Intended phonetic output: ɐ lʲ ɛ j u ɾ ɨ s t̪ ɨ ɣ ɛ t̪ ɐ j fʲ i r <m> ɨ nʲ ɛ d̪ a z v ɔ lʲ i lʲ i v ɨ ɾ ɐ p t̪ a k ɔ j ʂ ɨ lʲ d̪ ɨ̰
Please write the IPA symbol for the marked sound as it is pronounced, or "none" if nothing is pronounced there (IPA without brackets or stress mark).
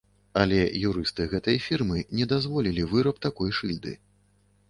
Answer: m